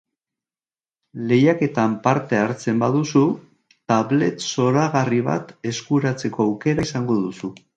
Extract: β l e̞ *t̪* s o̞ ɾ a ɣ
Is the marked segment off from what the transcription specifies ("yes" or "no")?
no